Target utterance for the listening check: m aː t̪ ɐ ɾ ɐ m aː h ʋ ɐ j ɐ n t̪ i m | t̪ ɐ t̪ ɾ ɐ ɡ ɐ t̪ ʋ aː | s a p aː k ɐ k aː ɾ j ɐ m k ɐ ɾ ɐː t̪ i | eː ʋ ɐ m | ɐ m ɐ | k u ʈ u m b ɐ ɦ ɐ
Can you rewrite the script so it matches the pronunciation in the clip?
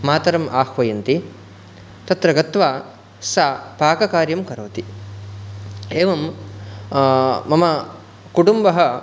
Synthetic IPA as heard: m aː t̪ ɐ ɾ ɐ m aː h ʋ ɐ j ɐ n t̪ i | t̪ ɐ t̪ ɾ ɐ ɡ ɐ t̪ ʋ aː | s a p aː k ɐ k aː ɾ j ɐ m k ɐ ɾ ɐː t̪ i | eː ʋ ɐ m | ɐ m ɐ | k u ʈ u m b ɐ ɦ ɐ